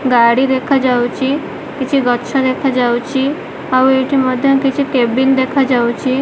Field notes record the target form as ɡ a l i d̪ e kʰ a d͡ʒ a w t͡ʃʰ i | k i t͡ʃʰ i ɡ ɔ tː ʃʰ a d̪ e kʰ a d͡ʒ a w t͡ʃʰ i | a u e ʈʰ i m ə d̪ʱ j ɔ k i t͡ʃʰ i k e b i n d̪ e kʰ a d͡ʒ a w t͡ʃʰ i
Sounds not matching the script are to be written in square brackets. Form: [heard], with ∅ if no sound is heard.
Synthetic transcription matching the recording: ɡ a [ɽ] i d̪ e kʰ a d͡ʒ a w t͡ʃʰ i | k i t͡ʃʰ i ɡ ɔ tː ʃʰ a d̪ e kʰ a d͡ʒ a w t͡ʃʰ i | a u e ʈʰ i m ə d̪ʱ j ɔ k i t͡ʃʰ i k e b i n d̪ e kʰ a d͡ʒ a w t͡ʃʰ i